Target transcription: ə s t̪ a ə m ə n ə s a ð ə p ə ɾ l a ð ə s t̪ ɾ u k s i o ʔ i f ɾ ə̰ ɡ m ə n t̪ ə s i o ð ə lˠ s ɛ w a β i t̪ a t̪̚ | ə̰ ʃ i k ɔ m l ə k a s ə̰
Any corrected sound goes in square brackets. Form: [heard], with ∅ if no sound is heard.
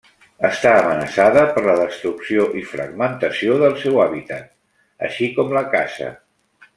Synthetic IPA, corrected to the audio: ə s t̪ a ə m ə n ə s a ð ə p ə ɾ l [ə] ð ə s t̪ ɾ u k s i o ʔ i f ɾ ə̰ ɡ m ə n t̪ ə s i o ð ə lˠ s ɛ w a β i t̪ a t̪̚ | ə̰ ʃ i k ɔ m l ə k a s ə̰